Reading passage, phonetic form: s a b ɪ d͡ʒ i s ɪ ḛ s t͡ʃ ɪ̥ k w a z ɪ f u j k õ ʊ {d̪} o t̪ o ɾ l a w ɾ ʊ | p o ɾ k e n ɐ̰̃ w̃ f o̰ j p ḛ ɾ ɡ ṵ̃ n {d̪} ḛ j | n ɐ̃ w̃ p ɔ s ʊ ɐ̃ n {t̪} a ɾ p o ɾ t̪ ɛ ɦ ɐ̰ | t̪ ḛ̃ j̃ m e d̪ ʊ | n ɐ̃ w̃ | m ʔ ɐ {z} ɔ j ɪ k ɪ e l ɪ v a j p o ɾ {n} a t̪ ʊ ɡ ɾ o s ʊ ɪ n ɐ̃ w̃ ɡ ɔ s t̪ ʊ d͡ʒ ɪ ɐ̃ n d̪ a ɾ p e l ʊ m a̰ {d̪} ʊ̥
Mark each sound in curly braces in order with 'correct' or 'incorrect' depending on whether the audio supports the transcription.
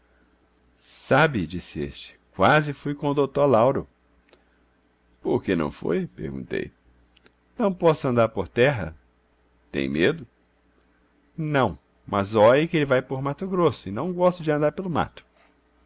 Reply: correct, incorrect: t̪, incorrect: d̪, correct, incorrect: m, incorrect: t̪

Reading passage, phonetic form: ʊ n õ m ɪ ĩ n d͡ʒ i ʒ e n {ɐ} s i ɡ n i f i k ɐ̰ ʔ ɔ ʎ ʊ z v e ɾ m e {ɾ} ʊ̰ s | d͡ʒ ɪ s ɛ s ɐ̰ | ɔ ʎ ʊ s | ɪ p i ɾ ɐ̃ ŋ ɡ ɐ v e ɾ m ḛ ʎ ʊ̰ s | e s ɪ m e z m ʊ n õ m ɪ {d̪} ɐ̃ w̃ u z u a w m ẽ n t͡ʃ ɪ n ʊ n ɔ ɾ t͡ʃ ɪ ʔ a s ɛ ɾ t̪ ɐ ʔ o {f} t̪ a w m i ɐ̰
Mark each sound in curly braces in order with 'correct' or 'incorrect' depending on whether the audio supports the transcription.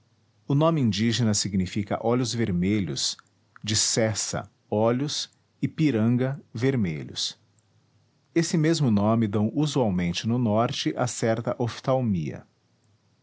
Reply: correct, incorrect: ʎ, correct, correct

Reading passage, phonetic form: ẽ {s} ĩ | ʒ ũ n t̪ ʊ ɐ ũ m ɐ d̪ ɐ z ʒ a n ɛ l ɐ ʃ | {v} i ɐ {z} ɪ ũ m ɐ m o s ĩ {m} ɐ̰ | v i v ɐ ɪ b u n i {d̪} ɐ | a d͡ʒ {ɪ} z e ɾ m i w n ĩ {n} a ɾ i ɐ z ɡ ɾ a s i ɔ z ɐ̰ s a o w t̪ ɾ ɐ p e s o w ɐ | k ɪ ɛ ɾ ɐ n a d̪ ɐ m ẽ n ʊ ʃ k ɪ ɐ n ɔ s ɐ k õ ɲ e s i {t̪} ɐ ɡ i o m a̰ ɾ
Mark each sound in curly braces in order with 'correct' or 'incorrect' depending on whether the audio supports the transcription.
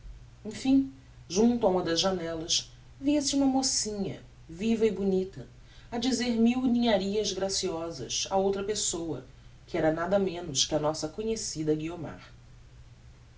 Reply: incorrect: f, correct, incorrect: s, incorrect: ɲ, incorrect: t̪, incorrect: i, incorrect: ɲ, incorrect: d̪

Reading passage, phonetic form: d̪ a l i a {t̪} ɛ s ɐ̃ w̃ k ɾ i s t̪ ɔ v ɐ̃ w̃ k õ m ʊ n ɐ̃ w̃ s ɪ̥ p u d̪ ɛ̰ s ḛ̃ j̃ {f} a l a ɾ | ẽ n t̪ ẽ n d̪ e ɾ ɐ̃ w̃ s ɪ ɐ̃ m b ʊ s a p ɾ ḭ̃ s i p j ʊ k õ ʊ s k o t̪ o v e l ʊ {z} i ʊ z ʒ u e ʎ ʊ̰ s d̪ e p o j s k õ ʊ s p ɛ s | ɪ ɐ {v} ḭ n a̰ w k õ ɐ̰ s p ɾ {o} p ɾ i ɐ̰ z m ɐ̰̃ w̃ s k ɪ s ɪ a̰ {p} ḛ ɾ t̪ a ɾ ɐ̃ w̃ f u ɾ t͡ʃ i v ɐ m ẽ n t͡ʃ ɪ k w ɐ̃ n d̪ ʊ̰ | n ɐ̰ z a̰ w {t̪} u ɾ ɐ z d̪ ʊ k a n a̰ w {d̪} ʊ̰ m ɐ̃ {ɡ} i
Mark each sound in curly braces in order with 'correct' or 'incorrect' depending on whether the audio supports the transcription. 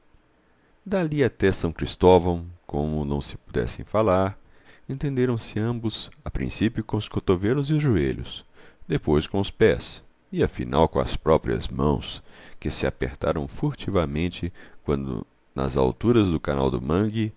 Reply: correct, correct, correct, incorrect: f, incorrect: ɔ, correct, correct, correct, correct

